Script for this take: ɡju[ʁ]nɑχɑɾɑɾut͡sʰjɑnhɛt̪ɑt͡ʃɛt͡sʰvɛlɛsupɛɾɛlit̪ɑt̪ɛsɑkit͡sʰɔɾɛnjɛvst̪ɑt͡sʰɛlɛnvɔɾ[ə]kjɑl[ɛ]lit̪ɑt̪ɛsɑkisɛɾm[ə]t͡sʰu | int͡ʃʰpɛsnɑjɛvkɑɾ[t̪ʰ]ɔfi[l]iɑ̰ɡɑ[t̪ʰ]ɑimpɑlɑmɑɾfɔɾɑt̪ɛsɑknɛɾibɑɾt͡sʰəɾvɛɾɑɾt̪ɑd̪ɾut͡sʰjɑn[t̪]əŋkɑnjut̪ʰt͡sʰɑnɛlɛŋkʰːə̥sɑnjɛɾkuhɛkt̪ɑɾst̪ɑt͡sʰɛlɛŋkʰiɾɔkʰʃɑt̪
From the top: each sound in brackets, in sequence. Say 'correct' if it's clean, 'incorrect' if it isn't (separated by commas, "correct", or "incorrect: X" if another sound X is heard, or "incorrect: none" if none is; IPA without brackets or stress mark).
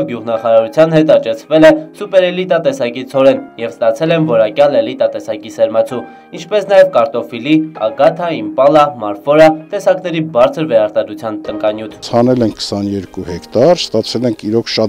correct, incorrect: ɑ, correct, incorrect: ɑ, incorrect: t̪, correct, correct, correct